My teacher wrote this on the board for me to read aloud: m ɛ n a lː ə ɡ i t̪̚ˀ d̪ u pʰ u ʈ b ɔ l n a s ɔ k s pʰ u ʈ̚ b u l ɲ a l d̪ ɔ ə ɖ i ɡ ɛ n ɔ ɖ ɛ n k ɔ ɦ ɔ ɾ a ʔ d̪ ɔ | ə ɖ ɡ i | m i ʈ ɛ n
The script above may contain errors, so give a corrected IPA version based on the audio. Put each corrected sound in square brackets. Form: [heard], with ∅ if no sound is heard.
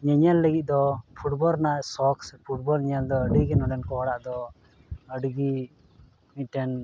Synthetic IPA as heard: [ɲ] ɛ [ɲ] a lː ə ɡ i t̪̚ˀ d̪ [ɔ] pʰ u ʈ b ɔ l n a s ɔ k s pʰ u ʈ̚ b [ɔ] l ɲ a l d̪ ɔ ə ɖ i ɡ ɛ n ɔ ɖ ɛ n k ɔ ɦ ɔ [ɽ] a ʔ d̪ ɔ | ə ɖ ɡ i | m i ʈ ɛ n

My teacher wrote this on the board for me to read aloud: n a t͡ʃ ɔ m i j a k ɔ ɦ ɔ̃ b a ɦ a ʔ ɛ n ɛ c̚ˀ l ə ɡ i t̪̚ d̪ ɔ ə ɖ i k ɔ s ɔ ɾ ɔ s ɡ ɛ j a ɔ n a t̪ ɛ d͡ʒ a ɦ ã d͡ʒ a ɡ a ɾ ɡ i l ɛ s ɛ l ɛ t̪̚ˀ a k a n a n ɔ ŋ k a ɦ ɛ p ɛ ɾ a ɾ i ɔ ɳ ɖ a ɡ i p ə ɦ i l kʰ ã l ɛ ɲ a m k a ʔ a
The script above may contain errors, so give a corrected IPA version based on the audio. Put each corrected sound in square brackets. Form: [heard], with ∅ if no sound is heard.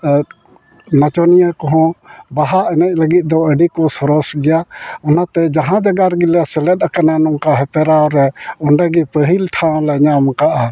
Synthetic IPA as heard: n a t͡ʃ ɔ [n] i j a k ɔ ɦ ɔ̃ b a ɦ a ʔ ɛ n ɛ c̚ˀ l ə ɡ i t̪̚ d̪ ɔ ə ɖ i k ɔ s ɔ ɾ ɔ s ɡ ɛ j a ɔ n a t̪ ɛ d͡ʒ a ɦ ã d͡ʒ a ɡ a ɾ ɡ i l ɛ s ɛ l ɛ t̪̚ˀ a k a n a n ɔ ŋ k a ɦ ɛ p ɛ ɾ a ɾ [ɛ] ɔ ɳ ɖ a ɡ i p ə ɦ i l [ʈʰ] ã l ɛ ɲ a m k a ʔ a

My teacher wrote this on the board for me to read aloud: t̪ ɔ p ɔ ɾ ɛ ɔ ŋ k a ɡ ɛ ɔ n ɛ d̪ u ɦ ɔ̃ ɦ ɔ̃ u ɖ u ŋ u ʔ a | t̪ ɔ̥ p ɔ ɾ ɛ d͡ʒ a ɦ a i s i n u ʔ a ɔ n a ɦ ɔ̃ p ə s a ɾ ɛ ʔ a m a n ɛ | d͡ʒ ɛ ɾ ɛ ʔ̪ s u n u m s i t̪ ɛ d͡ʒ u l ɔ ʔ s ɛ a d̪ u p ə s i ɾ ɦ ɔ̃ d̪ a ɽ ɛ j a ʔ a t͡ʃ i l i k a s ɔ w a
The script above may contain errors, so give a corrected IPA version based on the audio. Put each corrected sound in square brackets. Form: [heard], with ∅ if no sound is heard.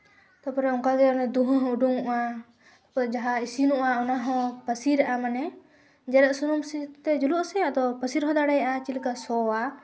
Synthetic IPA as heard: t̪ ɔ p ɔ ɾ ɛ ɔ ŋ k a ɡ ɛ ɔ n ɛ d̪ u ɦ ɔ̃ ɦ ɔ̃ u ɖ u ŋ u ʔ a | t̪ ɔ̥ p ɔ ɾ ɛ d͡ʒ a ɦ a i s i n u ʔ a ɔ n a ɦ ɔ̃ p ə s [i] ɾ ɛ ʔ a m a n ɛ | d͡ʒ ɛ ɾ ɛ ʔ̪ s u n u m s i t̪ ɛ d͡ʒ u l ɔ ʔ s ɛ a d̪ [ɔ] p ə s i ɾ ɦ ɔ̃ d̪ a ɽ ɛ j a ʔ a t͡ʃ i l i k a s ɔ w a

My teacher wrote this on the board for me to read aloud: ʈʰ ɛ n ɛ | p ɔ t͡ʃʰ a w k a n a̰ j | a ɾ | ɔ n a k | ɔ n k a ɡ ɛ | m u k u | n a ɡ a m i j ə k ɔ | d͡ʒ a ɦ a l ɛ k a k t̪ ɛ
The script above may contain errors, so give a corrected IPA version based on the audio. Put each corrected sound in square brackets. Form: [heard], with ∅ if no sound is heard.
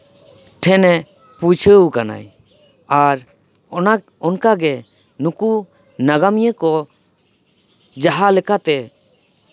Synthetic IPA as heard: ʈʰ ɛ n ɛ | p [u] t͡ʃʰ [ə] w k a n a̰ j | a ɾ | ɔ n a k | ɔ n k a ɡ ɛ | [n] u k u | n a ɡ a m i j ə k ɔ | d͡ʒ a ɦ a l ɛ k a [∅] t̪ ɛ

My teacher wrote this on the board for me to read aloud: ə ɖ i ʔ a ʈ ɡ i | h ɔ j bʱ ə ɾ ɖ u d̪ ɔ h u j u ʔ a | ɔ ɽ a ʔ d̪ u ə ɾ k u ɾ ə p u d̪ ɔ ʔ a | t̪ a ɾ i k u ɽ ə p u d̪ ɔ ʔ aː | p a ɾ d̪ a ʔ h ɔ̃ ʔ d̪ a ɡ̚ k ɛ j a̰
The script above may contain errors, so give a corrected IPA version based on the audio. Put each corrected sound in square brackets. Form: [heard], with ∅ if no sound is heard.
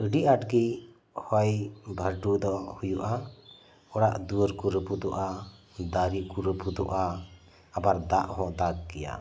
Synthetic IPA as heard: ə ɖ i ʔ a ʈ ɡ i | h ɔ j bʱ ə ɾ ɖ u d̪ ɔ h u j u ʔ a | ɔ ɽ a ʔ d̪ u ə ɾ k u ɾ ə p u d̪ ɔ ʔ a | [d̪] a ɾ i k u [ɾ] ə p u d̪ ɔ ʔ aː | [b] a ɾ d̪ a ʔ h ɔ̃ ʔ d̪ a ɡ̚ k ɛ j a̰

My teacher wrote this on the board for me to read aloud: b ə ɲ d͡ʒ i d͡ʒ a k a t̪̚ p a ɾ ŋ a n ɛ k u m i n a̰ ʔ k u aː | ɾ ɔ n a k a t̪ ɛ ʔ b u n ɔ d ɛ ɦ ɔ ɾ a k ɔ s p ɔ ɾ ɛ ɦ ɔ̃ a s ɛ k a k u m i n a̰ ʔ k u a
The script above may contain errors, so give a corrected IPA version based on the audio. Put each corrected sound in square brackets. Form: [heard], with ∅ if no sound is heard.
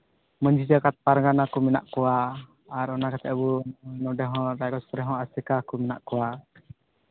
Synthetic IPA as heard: [m] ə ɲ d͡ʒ i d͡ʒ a k a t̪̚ p a ɾ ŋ a n [a] k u m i n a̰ ʔ k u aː | ɾ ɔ n a k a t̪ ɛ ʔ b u n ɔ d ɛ ɦ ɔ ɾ a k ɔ s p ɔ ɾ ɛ ɦ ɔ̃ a s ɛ k a k u m i n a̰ ʔ k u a

